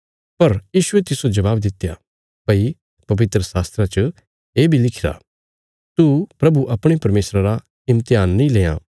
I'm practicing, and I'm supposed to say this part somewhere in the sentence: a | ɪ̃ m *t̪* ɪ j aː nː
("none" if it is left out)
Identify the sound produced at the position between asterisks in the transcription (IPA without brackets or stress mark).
t̪